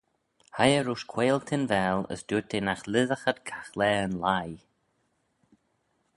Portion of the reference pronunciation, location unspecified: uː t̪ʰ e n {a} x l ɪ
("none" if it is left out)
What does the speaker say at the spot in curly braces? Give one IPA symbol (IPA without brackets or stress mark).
a